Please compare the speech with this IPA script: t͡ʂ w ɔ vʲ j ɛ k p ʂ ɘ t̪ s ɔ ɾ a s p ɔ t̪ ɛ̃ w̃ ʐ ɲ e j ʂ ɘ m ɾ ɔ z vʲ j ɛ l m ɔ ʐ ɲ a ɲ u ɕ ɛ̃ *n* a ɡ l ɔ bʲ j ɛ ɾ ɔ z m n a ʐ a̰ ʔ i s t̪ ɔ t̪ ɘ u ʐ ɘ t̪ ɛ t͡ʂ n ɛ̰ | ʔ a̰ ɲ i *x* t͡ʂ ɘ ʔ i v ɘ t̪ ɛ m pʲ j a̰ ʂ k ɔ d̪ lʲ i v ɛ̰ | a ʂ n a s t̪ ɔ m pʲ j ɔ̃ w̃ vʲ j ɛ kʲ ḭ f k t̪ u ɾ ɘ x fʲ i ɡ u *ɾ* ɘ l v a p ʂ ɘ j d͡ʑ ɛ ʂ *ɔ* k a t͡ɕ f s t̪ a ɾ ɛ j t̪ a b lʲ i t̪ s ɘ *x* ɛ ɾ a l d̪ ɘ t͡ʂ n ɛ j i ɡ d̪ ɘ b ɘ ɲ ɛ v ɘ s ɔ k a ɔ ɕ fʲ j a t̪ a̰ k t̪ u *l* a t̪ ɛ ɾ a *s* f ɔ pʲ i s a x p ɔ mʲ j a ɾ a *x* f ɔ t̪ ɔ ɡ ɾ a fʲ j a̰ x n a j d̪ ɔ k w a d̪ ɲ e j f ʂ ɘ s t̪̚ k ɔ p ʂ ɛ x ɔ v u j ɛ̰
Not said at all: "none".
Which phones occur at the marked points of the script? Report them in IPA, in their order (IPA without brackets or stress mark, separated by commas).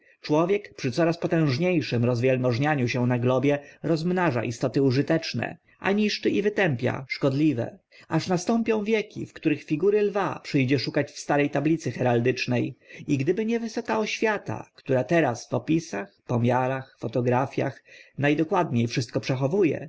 n, ʂ, ɾ, u, x, ɾ, s, x